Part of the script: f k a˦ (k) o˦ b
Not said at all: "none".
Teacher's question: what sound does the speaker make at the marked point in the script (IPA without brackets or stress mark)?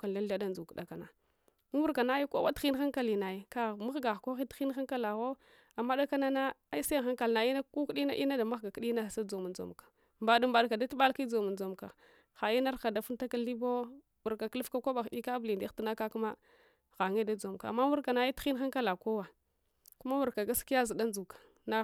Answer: k